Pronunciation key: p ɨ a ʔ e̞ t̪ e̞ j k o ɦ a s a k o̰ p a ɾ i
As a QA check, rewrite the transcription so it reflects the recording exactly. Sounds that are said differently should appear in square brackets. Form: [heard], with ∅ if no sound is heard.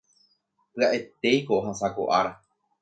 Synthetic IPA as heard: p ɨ a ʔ e̞ t̪ e̞ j k o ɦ a s a k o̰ [ʔ] a ɾ [a]